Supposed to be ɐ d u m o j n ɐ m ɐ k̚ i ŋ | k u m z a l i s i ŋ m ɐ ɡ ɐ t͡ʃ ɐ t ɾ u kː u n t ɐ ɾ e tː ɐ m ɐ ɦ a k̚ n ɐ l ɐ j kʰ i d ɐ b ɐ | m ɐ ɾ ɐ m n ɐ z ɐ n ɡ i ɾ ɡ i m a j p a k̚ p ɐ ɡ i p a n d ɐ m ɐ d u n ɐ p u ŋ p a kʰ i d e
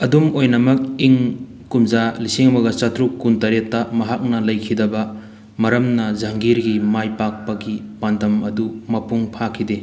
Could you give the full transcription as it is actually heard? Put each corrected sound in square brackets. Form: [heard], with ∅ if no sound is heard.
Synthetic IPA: ɐ d u m o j n ɐ m ɐ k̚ i ŋ | k u m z a l i s i ŋ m ɐ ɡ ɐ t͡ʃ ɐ t ɾ u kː u n t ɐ ɾ e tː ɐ m ɐ ɦ a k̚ n ɐ l ɐ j kʰ i d ɐ b ɐ | m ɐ ɾ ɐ m n ɐ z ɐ [ŋ] ɡ i ɾ ɡ i m a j p a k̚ p ɐ ɡ i p a n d ɐ m ɐ d u [m] ɐ p u ŋ [pʰ] a kʰ i d e